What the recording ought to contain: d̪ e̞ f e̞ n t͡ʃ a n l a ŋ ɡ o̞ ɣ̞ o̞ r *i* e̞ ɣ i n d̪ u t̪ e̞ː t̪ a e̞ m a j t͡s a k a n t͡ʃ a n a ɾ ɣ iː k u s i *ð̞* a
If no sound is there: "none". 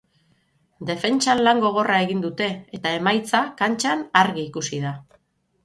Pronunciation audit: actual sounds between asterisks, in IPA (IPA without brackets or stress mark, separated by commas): a, ð̞